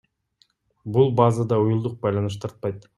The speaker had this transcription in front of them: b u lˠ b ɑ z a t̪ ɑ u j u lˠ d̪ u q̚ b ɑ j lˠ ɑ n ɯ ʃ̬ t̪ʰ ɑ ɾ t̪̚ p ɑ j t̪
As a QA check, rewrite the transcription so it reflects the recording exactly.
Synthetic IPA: b u lˠ b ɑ z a d̪ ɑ u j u lˠ d̪ u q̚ b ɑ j lˠ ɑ n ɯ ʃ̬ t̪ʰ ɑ ɾ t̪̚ p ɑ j t̪